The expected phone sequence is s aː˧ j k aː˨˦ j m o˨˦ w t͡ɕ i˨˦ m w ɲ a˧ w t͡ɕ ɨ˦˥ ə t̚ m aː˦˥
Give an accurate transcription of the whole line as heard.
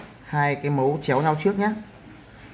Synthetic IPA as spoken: h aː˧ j k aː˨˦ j m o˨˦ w t͡ɕ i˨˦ w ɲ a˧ w t͡ɕ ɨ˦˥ ə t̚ ɲ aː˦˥